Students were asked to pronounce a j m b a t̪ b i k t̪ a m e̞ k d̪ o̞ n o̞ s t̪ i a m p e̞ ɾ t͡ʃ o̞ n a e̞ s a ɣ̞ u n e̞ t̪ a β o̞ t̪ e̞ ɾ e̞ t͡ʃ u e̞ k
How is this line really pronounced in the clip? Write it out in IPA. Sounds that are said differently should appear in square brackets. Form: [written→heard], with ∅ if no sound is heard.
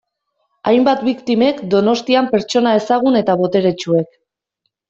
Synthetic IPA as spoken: a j m b a t̪ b i k t̪ [a→i] m e̞ k d̪ o̞ n o̞ s t̪ i a m p e̞ ɾ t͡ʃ o̞ n a e̞ s a ɣ̞ u n e̞ t̪ a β o̞ t̪ e̞ ɾ e̞ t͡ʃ u e̞ k